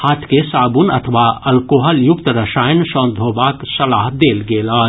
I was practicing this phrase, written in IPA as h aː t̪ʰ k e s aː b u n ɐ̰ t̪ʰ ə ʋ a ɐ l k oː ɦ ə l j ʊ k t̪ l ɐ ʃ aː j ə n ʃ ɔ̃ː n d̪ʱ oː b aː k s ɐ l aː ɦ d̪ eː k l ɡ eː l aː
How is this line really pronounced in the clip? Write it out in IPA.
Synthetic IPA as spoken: h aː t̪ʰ k e s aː b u n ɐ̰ t̪ʰ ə ʋ a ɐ l k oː ɦ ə l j ʊ k t̪ ɾ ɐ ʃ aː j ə n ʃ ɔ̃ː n d̪ʱ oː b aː k s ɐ l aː ɦ d̪ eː l ɡ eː l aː